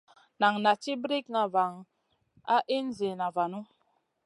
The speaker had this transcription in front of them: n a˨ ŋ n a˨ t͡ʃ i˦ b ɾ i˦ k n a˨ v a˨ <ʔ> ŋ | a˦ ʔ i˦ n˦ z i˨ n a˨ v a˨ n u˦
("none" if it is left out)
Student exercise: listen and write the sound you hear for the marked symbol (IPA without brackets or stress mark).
none